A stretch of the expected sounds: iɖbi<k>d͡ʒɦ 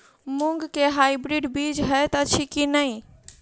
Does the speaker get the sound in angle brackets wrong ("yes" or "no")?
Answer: yes